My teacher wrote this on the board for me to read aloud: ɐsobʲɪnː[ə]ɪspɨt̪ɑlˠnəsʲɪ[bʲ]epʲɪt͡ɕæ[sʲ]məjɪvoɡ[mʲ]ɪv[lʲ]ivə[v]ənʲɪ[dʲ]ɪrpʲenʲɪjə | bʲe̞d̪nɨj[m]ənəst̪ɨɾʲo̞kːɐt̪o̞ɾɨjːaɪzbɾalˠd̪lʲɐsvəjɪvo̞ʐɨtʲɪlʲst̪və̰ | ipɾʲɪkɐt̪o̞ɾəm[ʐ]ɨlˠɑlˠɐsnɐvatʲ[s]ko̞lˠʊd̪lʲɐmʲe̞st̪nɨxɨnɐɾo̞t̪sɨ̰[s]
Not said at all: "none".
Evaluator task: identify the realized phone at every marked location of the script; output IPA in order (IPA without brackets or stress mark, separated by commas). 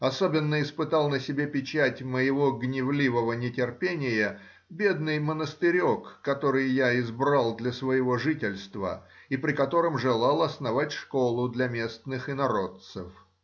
ə, bʲ, tʲ, nʲ, lʲ, v, tʲ, m, ʐ, ʂ, f